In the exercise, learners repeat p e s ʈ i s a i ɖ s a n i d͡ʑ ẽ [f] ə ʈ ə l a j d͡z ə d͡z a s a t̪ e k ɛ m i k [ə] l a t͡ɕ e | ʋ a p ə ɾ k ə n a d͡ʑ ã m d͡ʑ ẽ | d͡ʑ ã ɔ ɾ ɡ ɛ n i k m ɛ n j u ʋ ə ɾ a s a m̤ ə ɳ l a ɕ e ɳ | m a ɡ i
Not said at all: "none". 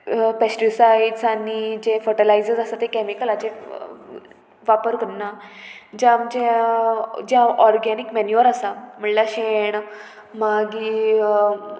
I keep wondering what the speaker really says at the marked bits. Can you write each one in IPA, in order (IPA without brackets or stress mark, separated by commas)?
f, ə